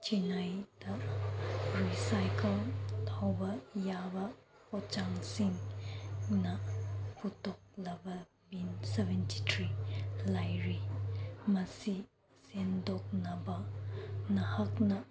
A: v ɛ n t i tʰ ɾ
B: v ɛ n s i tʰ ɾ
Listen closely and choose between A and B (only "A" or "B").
A